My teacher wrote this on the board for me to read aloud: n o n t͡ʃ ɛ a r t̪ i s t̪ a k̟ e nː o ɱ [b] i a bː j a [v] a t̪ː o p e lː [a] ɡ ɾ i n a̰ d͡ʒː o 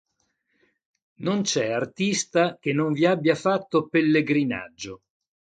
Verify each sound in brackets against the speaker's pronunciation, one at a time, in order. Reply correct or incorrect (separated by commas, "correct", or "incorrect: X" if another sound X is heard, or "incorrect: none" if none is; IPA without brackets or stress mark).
incorrect: v, incorrect: f, incorrect: e